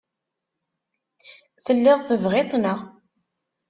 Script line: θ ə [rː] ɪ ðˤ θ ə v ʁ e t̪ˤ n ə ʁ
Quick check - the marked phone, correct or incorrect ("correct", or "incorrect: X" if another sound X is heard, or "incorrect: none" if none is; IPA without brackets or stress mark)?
incorrect: lː